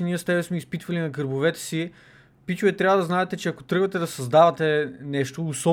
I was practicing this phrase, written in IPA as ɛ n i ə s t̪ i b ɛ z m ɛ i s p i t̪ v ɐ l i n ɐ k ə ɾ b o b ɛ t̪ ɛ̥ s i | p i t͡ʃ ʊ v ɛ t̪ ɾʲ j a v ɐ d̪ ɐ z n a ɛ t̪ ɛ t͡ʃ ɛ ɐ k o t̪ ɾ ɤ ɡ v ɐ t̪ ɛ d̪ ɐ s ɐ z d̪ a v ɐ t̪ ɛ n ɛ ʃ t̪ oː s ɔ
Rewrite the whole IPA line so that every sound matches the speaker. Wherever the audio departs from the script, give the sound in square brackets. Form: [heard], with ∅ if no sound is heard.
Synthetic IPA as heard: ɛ n i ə s t̪ [ɛ] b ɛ [s] m ɛ i s p i t̪ v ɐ l i n ɐ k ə ɾ b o [v] ɛ t̪ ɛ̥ s i | p i t͡ʃ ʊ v ɛ t̪ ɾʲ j a v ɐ d̪ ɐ z n a ɛ t̪ ɛ t͡ʃ ɛ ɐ k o t̪ ɾ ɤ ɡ v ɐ t̪ ɛ d̪ ɐ s ɐ z d̪ a v ɐ t̪ ɛ n ɛ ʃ t̪ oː s ɔ